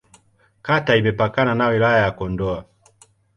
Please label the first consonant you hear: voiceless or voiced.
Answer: voiceless